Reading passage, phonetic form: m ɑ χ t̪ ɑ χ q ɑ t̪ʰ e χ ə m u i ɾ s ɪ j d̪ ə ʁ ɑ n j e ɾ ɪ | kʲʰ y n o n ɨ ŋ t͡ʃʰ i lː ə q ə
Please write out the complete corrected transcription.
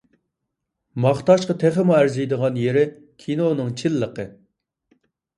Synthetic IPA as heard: m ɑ χ t̪ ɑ ʃ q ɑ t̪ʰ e χ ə m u æ ɾ z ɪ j d̪ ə ʁ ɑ n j e ɾ ɪ | kʲʰ i n o n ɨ ŋ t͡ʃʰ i lː ə q ə